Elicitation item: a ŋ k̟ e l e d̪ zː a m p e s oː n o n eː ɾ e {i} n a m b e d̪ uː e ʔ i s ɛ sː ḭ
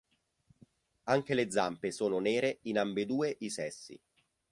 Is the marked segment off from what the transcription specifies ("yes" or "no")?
no